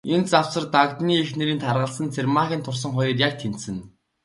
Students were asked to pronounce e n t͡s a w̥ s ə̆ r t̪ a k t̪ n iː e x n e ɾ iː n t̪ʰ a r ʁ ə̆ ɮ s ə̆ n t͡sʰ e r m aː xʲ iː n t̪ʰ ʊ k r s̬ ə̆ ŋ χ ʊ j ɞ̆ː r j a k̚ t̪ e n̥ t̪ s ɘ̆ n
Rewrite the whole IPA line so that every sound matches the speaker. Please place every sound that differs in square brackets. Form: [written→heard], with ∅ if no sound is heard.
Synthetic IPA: e n t͡s a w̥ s ə̆ r t̪ a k t̪ n iː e x n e ɾ iː n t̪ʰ a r ʁ ə̆ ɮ s ə̆ n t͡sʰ e r m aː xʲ iː n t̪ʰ ʊ [k→∅] r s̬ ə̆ ŋ χ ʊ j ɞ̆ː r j a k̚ [t̪→t̪ʰ] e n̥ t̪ s ɘ̆ n